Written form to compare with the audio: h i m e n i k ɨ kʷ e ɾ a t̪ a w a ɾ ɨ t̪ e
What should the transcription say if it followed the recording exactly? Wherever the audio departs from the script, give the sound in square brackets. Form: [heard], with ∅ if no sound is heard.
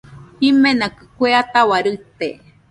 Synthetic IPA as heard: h i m e n [a] k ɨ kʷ e [∅] a t̪ a w a ɾ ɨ t̪ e